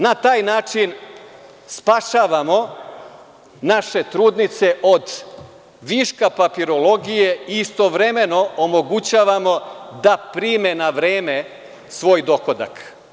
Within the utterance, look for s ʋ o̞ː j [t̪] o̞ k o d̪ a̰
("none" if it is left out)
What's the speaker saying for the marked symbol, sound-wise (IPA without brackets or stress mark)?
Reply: d̪